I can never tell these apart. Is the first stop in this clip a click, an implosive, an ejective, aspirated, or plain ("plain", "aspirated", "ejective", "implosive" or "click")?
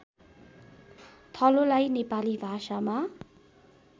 aspirated